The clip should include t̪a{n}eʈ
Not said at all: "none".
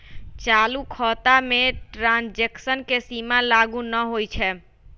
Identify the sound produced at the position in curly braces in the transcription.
m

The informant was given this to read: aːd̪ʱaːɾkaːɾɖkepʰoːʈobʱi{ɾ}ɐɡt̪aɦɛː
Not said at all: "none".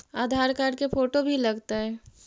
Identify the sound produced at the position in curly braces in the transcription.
l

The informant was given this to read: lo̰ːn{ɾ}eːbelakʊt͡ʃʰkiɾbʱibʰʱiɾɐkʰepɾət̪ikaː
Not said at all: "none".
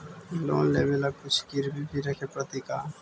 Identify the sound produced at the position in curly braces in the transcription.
l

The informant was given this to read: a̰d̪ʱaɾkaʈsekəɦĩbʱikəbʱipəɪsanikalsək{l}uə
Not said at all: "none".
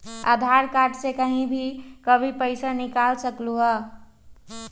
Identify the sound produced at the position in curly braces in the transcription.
l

